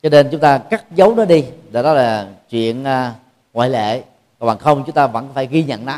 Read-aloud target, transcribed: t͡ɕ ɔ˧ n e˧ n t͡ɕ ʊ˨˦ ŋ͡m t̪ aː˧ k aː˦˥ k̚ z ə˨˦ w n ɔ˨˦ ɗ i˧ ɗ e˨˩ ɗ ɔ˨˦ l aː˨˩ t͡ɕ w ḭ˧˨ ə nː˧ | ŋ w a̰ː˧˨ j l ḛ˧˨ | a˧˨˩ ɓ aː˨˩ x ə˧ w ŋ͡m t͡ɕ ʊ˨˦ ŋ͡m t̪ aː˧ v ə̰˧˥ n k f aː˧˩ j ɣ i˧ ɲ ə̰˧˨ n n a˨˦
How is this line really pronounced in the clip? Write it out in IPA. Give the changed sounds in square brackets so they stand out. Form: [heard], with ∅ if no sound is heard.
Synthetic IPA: t͡ɕ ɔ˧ n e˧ n t͡ɕ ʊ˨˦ ŋ͡m t̪ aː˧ k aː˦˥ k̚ z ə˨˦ w n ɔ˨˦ ɗ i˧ ɗ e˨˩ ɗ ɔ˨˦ l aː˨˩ t͡ɕ w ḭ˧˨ ə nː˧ | ŋ w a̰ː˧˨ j l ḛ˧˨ | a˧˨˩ ɓ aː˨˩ x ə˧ w ŋ͡m t͡ɕ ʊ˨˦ ŋ͡m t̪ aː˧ v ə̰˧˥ n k f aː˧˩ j ɣ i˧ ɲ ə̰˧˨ n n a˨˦